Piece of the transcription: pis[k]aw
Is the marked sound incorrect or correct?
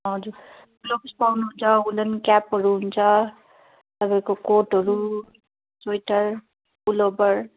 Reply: incorrect